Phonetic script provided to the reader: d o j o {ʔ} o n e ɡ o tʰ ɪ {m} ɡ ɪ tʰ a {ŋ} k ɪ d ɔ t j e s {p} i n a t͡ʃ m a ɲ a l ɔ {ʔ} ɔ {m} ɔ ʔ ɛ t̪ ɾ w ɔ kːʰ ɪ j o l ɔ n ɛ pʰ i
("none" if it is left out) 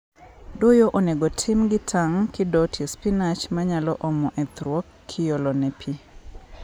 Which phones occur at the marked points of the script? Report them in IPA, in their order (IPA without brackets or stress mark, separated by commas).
ʔ, m, ŋ, p, ʔ, m